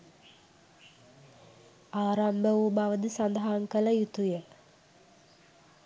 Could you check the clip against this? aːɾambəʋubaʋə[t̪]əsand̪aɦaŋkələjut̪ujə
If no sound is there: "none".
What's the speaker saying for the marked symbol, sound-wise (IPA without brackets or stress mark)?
d̪